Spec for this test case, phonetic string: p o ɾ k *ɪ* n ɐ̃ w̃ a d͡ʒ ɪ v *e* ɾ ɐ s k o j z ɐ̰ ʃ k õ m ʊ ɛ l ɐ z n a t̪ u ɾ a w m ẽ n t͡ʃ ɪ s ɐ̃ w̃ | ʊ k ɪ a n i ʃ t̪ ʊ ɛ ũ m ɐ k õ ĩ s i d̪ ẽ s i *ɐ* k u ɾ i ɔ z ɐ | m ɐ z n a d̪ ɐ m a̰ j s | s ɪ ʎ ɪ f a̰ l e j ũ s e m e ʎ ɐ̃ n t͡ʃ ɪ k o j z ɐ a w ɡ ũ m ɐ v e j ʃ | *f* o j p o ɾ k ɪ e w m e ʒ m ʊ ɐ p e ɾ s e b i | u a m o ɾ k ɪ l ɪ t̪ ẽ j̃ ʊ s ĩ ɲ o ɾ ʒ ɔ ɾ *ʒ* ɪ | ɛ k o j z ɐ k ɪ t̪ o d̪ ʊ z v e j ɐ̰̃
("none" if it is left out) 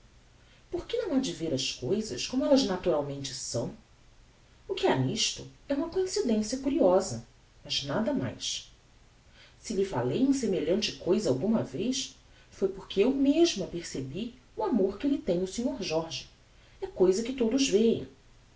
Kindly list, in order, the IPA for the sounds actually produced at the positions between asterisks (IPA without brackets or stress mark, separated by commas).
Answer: ɪ, e, ɐ, f, ʒ